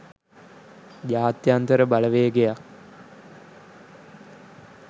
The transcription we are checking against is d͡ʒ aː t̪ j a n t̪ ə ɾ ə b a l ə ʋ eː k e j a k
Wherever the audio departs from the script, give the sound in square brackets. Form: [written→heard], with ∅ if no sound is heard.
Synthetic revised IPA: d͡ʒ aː t̪ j a n t̪ ə ɾ ə b a l ə ʋ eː [k→ɡ] e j a k